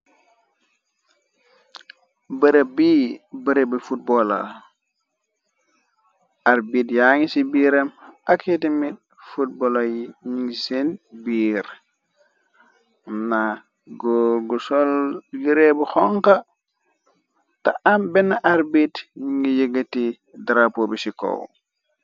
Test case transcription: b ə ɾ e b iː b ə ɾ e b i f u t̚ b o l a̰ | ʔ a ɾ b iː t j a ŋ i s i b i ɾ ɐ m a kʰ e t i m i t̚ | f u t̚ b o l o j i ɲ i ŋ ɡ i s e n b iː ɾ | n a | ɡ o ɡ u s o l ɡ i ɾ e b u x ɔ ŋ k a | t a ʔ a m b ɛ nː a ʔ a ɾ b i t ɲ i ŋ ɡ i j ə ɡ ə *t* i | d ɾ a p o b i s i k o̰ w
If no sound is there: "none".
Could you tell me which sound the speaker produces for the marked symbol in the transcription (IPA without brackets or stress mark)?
t